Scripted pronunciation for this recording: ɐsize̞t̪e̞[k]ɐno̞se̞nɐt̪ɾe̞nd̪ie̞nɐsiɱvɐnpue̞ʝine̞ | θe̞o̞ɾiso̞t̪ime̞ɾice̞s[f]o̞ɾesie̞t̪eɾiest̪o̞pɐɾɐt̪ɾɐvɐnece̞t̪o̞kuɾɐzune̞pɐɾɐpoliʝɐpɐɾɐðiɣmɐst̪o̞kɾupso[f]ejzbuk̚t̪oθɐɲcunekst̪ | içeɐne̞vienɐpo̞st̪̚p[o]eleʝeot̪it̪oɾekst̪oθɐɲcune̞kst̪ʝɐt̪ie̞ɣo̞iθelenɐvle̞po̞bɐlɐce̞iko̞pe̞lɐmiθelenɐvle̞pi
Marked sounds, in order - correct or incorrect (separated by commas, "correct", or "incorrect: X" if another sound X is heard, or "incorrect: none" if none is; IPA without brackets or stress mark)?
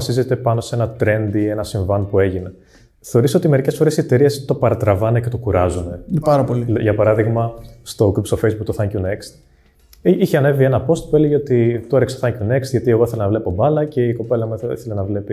incorrect: p, correct, correct, incorrect: u